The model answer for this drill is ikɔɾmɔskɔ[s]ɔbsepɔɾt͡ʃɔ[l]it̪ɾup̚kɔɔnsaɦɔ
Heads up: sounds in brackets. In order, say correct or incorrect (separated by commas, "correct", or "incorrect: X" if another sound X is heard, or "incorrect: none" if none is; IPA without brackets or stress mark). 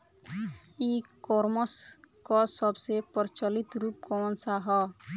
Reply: correct, correct